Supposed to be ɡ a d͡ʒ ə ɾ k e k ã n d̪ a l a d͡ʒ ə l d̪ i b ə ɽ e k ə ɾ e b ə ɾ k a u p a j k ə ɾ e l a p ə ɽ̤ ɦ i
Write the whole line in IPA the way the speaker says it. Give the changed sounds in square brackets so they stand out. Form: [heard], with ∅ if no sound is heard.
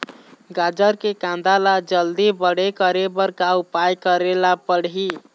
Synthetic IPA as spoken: ɡ a d͡ʒ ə ɾ k e k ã n d̪ a l a d͡ʒ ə l d̪ i b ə ɽ e k ə ɾ e b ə ɾ k a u p a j k ə ɾ e l a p ə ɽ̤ ɦ i